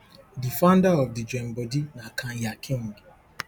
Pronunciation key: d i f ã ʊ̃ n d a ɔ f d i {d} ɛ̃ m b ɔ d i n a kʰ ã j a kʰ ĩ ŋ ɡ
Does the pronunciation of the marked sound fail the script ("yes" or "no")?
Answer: yes